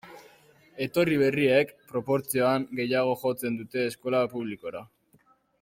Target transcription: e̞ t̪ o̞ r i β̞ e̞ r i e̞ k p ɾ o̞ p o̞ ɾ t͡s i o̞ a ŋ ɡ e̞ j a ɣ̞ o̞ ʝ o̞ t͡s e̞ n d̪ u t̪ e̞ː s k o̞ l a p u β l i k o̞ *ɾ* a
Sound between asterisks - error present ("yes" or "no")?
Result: no